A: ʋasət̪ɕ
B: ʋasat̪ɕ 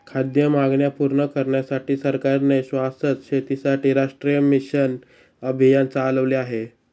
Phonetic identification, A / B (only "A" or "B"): A